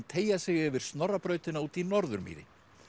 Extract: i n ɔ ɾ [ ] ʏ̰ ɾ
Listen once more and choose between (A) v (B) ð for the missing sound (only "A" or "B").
B